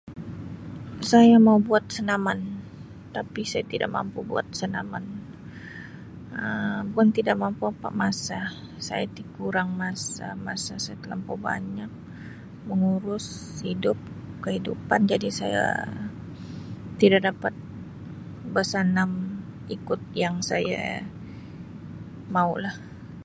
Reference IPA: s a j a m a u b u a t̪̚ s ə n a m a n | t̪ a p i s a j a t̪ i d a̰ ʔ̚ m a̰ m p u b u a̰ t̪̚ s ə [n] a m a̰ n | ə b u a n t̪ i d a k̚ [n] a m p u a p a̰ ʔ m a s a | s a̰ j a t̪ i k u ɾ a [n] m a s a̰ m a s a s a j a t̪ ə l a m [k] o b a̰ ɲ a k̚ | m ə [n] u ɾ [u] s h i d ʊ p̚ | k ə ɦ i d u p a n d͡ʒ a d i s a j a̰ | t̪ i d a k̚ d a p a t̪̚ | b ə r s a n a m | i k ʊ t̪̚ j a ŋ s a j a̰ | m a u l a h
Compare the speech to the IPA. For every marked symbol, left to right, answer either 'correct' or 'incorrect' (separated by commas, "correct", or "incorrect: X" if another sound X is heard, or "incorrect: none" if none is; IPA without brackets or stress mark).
correct, incorrect: m, incorrect: ŋ, incorrect: p, incorrect: ŋ, incorrect: ʊ